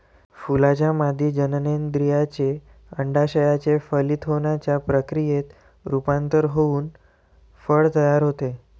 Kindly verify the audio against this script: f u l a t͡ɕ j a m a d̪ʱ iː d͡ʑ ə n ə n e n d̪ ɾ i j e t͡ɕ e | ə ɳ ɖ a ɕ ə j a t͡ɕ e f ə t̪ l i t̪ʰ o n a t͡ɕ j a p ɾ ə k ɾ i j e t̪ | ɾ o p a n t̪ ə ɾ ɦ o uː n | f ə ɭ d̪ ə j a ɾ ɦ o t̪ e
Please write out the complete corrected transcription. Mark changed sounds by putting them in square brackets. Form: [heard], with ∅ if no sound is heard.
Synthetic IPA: f u l a t͡ɕ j a m a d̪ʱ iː d͡ʑ ə n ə n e n d̪ ɾ i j [a] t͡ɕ e | ə ɳ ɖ a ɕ ə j a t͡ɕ e f ə [∅] l i t̪ʰ o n a t͡ɕ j a p ɾ ə k ɾ i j e t̪ | ɾ [u] p a n t̪ ə ɾ ɦ o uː n | f ə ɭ [t̪] ə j a ɾ ɦ o t̪ e

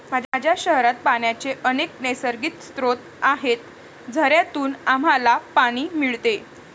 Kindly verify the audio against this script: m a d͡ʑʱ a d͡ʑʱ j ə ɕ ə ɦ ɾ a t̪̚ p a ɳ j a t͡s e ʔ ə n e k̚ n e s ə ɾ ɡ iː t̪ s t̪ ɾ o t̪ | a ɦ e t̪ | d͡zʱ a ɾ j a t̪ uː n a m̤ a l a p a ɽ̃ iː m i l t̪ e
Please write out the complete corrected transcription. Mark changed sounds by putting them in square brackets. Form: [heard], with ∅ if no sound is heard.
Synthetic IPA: m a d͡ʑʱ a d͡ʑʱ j [a] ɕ ə ɦ ɾ a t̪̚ p a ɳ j a t͡s e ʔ ə n e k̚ n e s ə ɾ ɡ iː t̪ s t̪ ɾ o t̪ | a ɦ e t̪ | d͡zʱ [ə] ɾ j a t̪ uː n a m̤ a l a p a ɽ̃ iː m i [ɭ] t̪ e

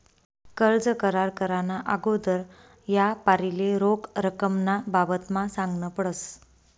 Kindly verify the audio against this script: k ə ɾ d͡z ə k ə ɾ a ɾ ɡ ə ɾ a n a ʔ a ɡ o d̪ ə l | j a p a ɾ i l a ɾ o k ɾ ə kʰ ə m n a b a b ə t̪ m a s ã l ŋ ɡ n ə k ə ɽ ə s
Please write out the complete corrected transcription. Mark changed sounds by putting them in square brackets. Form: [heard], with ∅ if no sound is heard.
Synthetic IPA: k ə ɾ d͡z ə k ə ɾ a ɾ [k] ə ɾ a n a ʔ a ɡ o d̪ ə [ɾ] | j a p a ɾ i l [e] ɾ o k ɾ ə [k] ə m n a b a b ə t̪ m a s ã [∅] ŋ ɡ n ə [p] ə ɽ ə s

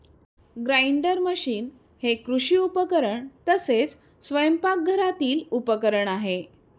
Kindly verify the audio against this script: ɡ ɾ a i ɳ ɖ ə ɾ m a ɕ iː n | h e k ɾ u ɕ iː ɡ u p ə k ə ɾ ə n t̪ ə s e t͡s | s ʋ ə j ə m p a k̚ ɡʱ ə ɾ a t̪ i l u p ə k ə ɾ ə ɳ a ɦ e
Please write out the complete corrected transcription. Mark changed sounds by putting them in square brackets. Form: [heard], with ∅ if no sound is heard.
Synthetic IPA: ɡ ɾ a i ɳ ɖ ə ɾ m [ə] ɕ iː n | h e k ɾ u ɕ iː [∅] u p ə k ə ɾ ə [ɳ] t̪ ə s e t͡s | s ʋ ə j ə m p a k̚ ɡʱ ə ɾ a t̪ [iː] l u p ə k ə ɾ ə ɳ a ɦ e

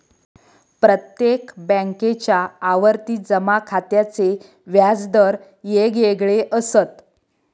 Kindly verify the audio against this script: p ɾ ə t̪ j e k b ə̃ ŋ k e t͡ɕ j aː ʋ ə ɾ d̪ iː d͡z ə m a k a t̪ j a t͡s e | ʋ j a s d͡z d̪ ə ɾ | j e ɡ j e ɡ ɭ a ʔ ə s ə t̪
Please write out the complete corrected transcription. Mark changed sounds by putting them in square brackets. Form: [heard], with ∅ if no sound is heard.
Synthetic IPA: p ɾ ə t̪ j e k b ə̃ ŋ k e t͡ɕ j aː ʋ ə ɾ [t̪] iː d͡z ə m a [kʰ] a t̪ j a t͡s e | ʋ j a [∅] d͡z d̪ ə ɾ | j e ɡ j e ɡ ɭ [e] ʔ ə s ə t̪

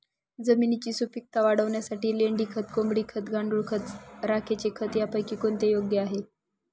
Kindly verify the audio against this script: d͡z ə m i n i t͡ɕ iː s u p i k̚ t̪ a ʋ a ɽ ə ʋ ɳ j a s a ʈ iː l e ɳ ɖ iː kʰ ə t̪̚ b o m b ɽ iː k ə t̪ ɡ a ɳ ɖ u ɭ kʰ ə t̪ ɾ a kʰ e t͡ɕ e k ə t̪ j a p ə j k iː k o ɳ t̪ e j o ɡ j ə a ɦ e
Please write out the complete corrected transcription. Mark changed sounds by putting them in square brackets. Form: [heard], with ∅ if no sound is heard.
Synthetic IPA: d͡z ə m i n i t͡ɕ iː s u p i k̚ t̪ a ʋ a ɽ ə ʋ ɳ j a s a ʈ iː l e ɳ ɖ iː kʰ ə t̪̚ [ɡ] o m b ɽ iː [kʰ] ə t̪ ɡ a ɳ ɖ u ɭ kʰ ə t̪ ɾ a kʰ e t͡ɕ e [kʰ] ə t̪ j a p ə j k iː k o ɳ t̪ e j o ɡ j ə a ɦ e

